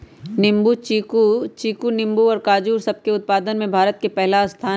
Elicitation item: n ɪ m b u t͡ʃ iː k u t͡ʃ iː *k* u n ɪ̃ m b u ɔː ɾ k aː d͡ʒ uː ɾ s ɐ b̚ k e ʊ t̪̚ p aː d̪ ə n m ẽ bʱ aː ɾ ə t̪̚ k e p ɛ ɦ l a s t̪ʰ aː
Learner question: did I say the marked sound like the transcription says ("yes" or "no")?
yes